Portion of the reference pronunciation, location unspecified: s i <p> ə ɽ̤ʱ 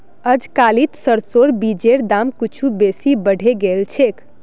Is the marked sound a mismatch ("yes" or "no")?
yes